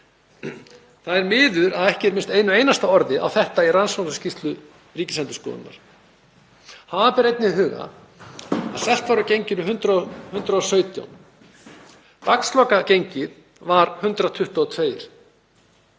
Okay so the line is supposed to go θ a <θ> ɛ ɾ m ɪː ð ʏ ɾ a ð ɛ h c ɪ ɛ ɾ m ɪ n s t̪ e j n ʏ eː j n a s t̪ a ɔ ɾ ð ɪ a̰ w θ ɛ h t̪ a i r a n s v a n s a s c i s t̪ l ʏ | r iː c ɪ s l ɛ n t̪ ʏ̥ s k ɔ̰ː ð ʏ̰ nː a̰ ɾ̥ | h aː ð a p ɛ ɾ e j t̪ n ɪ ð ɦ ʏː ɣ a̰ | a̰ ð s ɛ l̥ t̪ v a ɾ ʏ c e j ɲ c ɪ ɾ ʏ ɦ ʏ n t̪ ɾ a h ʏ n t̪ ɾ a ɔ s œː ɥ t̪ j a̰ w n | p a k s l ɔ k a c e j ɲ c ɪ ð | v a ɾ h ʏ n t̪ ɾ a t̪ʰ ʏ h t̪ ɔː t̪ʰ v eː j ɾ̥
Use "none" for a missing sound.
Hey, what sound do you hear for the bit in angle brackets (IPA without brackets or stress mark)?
ð